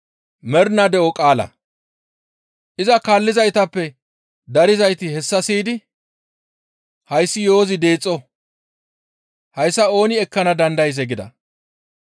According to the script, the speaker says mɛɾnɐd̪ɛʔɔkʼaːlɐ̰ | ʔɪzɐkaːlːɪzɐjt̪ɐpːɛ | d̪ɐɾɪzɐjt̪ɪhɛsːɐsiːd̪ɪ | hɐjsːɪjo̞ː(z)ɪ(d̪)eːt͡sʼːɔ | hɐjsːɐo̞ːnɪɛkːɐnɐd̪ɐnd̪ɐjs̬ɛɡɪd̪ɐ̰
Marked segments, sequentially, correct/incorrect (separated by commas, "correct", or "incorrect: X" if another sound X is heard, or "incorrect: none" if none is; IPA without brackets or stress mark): correct, correct